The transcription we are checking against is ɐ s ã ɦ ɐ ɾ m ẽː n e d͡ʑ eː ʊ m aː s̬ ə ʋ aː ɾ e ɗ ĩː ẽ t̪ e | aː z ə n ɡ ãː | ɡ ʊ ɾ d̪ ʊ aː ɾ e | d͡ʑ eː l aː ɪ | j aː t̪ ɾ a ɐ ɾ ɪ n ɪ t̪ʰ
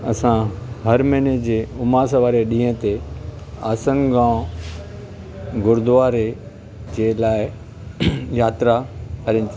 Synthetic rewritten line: ɐ s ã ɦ ɐ ɾ m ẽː n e d͡ʑ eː ʊ m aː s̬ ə ʋ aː ɾ e ɗ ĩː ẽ t̪ e | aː s ə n ɡ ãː | ɡ ʊ ɾ d̪ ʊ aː ɾ e | d͡ʑ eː l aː ɪ | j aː t̪ ɾ a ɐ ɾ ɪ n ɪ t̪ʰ